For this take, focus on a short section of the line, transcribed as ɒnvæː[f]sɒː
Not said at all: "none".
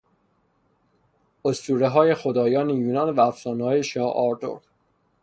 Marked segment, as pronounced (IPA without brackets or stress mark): f